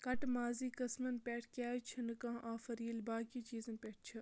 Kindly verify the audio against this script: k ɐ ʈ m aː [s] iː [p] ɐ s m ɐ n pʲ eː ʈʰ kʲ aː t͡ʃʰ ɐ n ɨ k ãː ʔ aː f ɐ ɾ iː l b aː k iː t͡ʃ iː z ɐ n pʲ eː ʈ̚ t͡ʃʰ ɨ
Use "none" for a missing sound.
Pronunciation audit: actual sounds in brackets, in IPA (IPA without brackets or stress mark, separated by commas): z, k